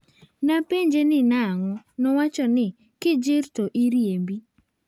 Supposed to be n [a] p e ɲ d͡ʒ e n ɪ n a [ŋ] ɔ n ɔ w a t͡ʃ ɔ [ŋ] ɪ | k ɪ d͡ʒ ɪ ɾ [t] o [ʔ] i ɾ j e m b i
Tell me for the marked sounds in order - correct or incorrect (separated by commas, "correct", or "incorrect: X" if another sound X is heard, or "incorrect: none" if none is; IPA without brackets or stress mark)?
correct, correct, incorrect: n, correct, correct